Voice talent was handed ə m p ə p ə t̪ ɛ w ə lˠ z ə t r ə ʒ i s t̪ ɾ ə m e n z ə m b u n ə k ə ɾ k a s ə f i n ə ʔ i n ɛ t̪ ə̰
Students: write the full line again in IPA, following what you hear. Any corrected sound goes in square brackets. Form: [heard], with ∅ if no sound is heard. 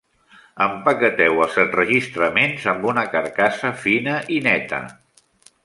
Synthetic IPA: ə m p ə [k] ə t̪ ɛ w ə lˠ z ə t r ə ʒ i s t̪ ɾ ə m e n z ə m b u n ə k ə ɾ k a s ə f i n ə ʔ i n ɛ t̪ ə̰